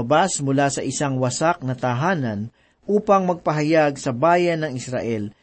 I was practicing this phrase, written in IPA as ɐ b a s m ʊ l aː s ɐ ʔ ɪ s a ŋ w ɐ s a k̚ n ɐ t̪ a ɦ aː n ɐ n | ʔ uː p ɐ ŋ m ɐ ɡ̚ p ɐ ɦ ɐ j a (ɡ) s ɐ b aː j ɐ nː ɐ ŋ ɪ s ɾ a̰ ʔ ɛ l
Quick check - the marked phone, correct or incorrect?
correct